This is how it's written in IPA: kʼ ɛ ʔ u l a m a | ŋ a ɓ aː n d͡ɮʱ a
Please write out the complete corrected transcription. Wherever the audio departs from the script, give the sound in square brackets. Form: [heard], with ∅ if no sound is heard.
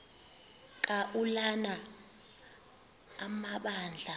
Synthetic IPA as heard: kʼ [a] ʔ u l a [n] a | [m] a ɓ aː n d͡ɮʱ a

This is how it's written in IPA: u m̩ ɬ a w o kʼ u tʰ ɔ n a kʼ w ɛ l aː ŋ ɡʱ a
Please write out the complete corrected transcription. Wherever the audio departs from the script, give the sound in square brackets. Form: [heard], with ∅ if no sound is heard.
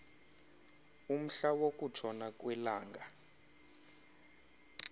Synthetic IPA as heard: u m̩ ɬ a w o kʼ u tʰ ɔ n a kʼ w ɛ l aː ŋ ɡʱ a

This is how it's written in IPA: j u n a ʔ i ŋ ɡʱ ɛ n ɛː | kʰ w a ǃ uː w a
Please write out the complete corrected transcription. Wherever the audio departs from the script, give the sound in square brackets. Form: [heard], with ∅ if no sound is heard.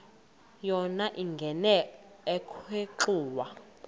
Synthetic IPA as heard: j [ɔ] n a ʔ i ŋ ɡʱ ɛ n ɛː | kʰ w [e] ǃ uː w a

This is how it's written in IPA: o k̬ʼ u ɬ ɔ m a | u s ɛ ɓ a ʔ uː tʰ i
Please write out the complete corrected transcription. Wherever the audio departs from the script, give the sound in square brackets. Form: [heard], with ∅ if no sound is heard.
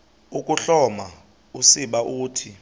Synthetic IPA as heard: [u] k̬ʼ u ɬ ɔ m a | u s [i] ɓ a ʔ uː tʰ i

